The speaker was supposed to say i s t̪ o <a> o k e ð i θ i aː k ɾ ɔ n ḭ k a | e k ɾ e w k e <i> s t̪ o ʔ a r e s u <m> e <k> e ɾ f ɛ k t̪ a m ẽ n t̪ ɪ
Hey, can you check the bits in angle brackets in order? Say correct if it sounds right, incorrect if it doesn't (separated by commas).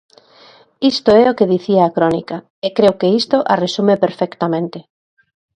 incorrect, correct, correct, incorrect